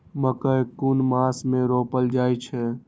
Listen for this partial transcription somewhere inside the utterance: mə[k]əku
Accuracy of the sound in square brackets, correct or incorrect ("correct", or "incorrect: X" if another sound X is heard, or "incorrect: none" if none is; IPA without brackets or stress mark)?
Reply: correct